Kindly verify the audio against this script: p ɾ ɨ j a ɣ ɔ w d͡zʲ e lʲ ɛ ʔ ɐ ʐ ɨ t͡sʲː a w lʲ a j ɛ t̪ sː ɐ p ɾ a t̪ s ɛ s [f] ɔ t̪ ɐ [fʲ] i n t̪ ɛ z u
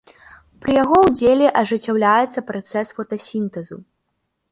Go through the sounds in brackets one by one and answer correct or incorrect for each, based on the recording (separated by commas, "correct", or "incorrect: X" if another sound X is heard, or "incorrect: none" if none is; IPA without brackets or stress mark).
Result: correct, incorrect: sʲ